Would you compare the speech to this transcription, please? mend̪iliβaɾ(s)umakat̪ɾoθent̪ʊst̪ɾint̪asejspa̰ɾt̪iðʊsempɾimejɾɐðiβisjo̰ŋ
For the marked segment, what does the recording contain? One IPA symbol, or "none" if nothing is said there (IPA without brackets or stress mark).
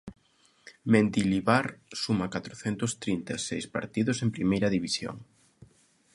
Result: s